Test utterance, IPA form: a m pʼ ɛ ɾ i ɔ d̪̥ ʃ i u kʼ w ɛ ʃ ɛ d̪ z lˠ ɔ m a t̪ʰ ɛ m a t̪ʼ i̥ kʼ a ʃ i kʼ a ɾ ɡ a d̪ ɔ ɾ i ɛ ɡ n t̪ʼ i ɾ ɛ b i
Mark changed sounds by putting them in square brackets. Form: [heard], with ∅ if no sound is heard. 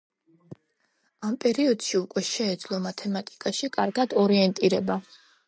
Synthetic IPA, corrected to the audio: a m pʼ ɛ ɾ i ɔ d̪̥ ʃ i u kʼ w ɛ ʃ [ɛː] d̪ z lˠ ɔ m a t̪ʰ ɛ m a t̪ʼ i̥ kʼ a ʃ i kʼ a ɾ ɡ a d̪ ɔ ɾ i ɛ [∅] n t̪ʼ i ɾ ɛ b [a]